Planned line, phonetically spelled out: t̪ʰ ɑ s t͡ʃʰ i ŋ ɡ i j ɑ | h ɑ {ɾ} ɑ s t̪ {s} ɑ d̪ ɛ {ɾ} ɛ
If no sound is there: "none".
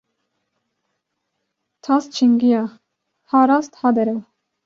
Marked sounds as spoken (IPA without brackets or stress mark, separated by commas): ɾ, h, ɾ